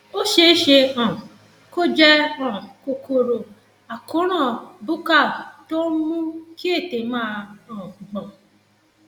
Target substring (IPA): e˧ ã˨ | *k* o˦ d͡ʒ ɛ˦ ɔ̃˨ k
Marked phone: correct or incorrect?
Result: correct